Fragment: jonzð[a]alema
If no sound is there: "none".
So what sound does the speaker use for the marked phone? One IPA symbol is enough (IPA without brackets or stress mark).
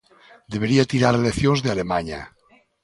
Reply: e